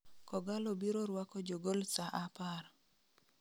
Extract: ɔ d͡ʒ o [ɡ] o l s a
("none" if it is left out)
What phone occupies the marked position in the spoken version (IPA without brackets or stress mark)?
ɡ